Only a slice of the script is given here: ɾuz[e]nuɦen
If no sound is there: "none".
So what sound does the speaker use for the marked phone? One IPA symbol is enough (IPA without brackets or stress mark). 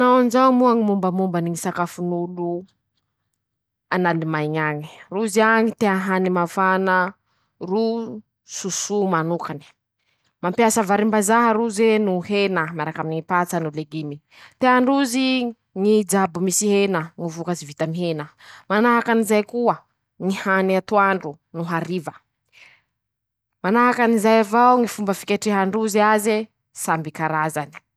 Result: e